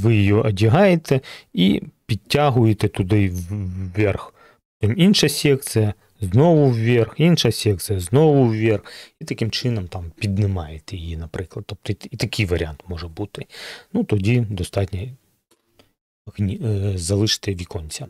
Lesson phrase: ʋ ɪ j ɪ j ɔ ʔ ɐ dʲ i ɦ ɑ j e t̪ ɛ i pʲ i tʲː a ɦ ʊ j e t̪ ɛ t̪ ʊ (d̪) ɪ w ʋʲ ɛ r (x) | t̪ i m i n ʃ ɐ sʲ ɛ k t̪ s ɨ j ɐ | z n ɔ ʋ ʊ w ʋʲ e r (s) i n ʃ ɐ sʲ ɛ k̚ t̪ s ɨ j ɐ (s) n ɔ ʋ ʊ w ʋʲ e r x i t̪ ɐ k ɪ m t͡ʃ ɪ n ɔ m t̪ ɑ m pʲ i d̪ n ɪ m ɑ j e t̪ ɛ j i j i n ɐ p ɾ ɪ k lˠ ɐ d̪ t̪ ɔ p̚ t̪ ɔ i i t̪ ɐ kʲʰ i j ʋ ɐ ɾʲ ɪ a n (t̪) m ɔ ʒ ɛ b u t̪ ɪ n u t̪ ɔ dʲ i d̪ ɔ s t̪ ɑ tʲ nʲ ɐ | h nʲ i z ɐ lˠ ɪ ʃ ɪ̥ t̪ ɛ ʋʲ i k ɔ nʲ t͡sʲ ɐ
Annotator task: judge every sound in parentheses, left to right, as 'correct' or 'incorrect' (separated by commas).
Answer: correct, correct, incorrect, incorrect, correct